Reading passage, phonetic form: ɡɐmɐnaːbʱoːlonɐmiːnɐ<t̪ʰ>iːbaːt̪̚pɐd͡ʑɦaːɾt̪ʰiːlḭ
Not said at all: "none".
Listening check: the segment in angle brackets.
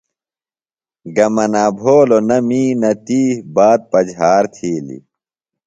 t̪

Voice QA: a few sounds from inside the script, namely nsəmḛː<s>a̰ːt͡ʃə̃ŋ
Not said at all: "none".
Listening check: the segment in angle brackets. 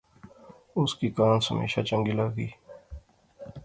ʃ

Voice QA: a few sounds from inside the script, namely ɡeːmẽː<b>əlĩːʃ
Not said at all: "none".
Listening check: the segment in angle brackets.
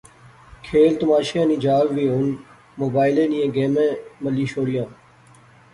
m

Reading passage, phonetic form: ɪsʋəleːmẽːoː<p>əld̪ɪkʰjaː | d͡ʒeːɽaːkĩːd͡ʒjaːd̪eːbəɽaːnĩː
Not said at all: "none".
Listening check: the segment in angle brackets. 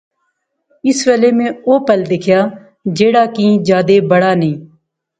p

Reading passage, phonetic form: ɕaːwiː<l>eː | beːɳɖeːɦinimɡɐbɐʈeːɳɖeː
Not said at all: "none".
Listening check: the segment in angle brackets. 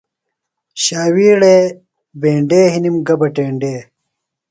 ɽ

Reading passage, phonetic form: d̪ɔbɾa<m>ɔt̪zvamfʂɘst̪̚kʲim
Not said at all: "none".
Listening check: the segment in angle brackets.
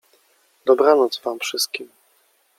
n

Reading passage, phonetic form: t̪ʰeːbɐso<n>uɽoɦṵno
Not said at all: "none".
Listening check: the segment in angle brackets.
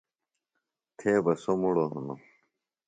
m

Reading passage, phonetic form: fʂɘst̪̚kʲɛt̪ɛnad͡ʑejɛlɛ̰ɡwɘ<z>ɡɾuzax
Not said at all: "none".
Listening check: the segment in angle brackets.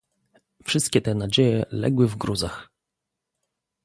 v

